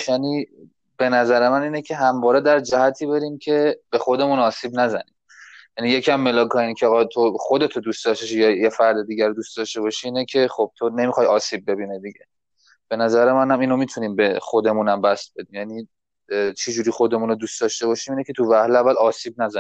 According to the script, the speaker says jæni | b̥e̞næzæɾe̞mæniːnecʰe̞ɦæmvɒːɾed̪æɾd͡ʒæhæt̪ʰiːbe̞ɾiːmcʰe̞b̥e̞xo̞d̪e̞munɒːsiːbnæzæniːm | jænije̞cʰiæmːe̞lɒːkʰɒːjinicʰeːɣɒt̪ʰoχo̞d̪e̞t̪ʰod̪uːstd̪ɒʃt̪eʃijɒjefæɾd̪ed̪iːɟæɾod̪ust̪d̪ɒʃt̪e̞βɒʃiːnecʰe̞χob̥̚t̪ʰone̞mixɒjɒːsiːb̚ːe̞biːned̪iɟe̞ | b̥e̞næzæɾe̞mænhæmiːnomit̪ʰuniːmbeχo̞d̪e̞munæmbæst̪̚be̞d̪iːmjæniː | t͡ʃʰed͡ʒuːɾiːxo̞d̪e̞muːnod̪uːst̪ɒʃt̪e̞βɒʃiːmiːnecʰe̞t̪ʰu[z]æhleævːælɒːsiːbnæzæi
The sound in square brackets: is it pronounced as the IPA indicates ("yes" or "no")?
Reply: no